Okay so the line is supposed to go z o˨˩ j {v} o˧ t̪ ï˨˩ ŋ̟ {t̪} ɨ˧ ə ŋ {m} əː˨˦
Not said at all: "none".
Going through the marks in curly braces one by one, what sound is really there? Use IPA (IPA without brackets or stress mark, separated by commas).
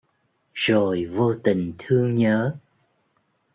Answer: v, t̪ʰ, ɲ